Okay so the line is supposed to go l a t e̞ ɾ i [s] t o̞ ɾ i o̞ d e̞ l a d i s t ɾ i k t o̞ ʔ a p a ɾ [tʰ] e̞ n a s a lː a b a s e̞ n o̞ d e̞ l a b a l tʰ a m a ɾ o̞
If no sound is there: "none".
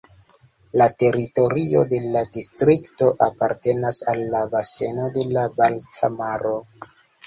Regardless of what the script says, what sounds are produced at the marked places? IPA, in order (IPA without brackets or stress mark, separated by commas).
none, t